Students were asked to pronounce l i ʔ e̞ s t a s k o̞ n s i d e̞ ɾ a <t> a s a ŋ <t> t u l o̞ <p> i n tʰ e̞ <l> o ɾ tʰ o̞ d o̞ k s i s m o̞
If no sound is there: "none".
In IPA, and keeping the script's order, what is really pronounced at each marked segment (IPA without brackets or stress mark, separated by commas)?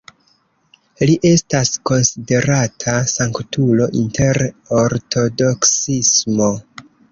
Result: tʰ, k, ʔ, ɾ